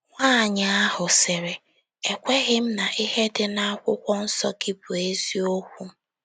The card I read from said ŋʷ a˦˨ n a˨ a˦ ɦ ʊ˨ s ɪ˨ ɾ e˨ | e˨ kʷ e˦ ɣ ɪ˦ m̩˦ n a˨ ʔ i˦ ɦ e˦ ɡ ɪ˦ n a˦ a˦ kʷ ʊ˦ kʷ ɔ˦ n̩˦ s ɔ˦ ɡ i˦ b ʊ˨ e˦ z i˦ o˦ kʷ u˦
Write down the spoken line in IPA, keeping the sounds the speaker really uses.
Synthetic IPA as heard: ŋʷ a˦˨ ɲ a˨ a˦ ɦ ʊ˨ s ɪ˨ ɾ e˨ | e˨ kʷ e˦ ɣ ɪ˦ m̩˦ n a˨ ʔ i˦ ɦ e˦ d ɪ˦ n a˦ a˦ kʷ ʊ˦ kʷ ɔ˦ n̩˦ s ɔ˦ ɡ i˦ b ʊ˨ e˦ z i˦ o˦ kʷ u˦